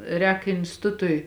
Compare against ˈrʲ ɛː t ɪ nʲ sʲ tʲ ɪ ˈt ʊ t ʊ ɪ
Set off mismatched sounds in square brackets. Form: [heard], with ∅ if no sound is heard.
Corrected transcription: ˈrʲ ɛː [k] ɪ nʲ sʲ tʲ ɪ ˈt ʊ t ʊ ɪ